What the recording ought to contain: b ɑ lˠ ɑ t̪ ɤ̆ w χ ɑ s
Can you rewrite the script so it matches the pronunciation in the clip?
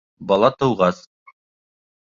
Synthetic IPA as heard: b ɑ lˠ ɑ t̪ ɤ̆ w ʁ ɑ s